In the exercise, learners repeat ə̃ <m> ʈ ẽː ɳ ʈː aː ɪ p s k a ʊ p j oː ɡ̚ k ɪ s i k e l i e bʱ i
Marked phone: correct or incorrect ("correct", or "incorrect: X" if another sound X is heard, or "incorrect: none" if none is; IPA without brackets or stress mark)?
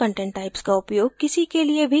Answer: incorrect: ɳ